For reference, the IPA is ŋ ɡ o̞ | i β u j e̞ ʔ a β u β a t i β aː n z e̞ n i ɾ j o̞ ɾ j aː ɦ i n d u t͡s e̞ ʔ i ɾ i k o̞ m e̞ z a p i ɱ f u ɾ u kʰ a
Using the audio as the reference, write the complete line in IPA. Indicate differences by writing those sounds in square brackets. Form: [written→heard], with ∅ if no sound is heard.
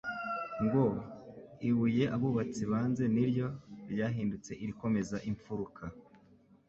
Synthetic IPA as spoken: ŋ ɡ o̞ | i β u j e̞ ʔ a β u β a [t→t͡s] i β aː n z e̞ n i ɾ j o̞ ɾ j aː ɦ [i→iː] n d u t͡s e̞ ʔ i ɾ i k o̞ m e̞ z a [p→ʔ] i ɱ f u ɾ u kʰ a